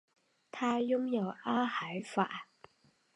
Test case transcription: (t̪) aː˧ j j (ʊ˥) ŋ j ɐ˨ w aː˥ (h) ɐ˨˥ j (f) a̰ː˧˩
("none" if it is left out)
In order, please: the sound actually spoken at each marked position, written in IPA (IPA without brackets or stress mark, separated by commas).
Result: t̪ʰ, ʊ˥, h, f